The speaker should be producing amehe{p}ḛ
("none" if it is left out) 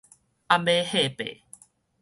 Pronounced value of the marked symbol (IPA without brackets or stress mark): p